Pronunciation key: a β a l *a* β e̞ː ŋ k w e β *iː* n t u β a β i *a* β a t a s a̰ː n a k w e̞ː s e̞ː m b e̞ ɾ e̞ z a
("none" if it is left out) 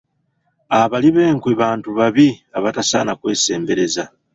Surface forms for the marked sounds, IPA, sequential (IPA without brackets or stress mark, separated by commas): i, aː, a